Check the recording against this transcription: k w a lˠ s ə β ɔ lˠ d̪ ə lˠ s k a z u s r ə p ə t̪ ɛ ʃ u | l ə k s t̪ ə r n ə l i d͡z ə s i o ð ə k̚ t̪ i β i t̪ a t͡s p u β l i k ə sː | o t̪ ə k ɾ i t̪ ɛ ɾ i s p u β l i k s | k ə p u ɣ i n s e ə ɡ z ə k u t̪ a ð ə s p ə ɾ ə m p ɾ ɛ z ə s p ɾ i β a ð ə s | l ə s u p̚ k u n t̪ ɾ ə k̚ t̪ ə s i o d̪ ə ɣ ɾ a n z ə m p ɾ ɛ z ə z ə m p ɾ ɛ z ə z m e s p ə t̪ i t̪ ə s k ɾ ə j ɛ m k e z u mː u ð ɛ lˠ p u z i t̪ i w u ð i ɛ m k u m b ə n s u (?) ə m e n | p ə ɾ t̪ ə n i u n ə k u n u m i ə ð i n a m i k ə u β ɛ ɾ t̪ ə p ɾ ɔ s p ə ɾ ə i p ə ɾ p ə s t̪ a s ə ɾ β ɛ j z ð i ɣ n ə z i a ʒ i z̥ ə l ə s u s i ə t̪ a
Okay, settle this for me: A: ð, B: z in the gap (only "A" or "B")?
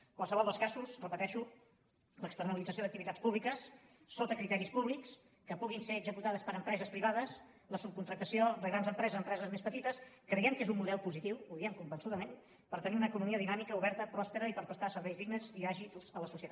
A